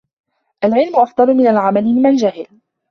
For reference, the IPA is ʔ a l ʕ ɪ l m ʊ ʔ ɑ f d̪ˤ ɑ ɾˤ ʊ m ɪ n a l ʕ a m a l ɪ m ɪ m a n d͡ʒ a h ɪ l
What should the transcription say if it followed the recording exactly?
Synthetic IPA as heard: ʔ a l ʕ ɪ l m ʊ ʔ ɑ f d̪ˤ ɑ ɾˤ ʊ m ɪ n a l ʕ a m a l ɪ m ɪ m a n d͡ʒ a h ɪ l